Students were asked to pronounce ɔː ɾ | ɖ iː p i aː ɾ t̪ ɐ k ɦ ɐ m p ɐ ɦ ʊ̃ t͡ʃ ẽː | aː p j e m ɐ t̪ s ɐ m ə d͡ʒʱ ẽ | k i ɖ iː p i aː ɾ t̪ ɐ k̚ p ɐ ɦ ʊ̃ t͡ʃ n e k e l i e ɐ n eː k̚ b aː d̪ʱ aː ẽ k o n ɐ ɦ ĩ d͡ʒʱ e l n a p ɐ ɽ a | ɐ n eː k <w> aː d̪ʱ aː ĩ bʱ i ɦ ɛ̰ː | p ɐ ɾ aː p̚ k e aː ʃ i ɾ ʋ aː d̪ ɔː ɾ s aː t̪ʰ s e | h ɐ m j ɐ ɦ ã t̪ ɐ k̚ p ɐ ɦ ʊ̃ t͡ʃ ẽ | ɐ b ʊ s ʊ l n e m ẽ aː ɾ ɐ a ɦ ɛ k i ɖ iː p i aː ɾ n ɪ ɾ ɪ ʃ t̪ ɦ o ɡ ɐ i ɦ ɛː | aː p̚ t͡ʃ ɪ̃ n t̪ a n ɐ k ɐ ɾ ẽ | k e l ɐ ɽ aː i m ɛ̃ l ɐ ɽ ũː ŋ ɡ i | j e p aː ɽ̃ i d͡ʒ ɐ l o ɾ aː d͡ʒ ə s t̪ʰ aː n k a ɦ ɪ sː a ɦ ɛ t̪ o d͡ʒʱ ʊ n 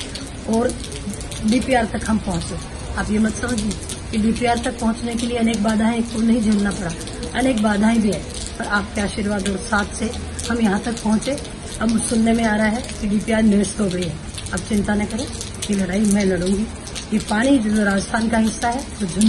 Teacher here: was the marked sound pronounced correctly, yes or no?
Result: no